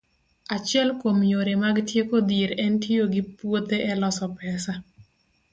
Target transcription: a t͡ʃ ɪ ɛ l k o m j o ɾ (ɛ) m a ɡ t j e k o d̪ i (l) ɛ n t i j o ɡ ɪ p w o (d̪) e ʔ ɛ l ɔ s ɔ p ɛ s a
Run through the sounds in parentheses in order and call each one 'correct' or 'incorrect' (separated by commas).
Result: incorrect, incorrect, incorrect